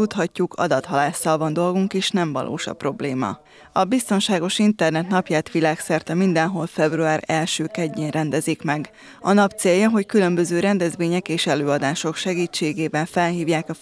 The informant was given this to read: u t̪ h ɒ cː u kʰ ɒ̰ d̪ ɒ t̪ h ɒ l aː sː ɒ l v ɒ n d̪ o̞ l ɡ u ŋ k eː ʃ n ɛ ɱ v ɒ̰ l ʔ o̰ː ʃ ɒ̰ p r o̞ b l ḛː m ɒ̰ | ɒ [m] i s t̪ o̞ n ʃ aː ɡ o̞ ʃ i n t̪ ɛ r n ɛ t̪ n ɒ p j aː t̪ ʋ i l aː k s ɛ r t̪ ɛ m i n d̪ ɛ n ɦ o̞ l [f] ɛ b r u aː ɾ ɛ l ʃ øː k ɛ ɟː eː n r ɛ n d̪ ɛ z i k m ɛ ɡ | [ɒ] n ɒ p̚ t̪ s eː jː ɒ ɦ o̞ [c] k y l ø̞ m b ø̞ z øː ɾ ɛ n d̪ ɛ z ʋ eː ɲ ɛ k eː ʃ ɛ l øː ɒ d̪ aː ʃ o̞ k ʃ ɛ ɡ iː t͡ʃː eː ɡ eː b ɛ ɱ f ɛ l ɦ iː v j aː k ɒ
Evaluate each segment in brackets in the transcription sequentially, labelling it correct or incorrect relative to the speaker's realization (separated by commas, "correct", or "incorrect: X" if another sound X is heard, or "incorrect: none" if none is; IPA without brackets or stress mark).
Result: incorrect: b, correct, correct, correct